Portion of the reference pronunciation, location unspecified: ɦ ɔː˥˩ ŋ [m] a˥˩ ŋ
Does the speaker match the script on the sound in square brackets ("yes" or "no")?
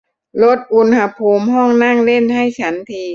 no